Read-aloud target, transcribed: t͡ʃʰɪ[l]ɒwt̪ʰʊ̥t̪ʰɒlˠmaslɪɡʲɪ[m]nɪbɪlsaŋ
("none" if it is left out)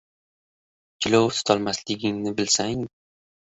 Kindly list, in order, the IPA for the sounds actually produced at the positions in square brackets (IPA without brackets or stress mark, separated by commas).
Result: l, ŋ